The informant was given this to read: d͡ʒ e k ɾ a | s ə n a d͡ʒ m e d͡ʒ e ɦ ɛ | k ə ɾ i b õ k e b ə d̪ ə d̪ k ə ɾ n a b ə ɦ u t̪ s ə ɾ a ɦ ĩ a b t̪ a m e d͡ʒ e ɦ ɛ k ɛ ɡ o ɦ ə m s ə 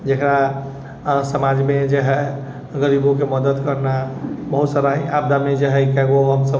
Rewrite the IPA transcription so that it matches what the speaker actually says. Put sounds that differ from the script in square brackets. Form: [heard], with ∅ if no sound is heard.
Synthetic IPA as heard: d͡ʒ e k ɾ a | s ə [m] a d͡ʒ m e d͡ʒ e ɦ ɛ | [ɡ] ə ɾ i b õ k e [m] ə d̪ ə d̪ k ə ɾ n a b ə ɦ u t̪ s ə ɾ a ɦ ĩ a b [d̪] a m e d͡ʒ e ɦ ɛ k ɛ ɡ o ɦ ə m s ə